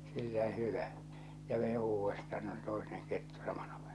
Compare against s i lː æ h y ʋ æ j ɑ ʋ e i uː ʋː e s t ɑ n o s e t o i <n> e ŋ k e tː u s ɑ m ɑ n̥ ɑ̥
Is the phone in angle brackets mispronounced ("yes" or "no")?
no